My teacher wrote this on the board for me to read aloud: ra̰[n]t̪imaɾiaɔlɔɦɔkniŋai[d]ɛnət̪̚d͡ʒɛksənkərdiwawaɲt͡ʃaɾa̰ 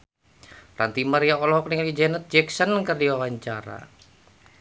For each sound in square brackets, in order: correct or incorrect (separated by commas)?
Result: correct, incorrect